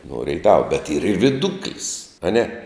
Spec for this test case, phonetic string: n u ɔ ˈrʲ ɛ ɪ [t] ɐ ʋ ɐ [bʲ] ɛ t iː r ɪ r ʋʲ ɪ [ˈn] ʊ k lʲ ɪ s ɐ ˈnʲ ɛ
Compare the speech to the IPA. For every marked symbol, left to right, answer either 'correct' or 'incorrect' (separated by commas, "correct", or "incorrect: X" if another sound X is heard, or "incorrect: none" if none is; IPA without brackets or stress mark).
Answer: correct, correct, incorrect: d